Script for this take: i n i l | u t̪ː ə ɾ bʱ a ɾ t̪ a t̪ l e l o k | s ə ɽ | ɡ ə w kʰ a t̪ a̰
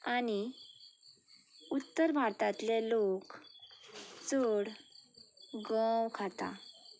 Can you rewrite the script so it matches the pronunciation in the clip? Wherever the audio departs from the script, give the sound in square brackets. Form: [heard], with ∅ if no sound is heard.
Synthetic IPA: [a] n i [∅] | u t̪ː ə ɾ bʱ a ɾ t̪ a t̪ l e l o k | [t͡s] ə ɽ | ɡ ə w kʰ a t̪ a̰